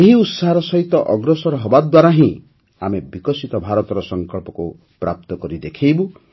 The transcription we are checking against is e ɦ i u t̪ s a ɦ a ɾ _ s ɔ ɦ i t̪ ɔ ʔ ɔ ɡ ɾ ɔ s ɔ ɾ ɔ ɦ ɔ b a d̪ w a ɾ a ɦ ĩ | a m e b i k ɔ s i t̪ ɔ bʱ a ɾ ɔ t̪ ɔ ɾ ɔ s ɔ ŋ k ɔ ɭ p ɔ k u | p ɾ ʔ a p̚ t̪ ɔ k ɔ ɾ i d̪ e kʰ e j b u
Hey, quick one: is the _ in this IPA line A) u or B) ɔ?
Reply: B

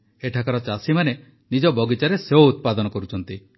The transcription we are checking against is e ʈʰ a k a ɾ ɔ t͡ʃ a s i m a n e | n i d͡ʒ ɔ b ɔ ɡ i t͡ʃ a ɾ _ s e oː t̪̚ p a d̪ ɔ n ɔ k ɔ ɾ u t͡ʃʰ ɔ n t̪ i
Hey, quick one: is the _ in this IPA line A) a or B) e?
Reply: B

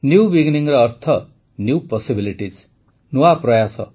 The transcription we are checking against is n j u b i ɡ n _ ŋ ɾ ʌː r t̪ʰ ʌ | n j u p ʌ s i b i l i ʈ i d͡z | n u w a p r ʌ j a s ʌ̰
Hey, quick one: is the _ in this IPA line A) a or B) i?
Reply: B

